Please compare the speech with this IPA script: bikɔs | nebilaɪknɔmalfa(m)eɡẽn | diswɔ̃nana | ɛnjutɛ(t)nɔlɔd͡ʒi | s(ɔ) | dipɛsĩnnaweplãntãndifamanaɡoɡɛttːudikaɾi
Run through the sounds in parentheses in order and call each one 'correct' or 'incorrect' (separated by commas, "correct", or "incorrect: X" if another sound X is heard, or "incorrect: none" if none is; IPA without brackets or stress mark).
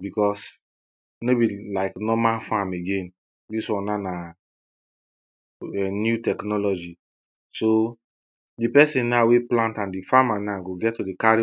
correct, incorrect: k, incorrect: o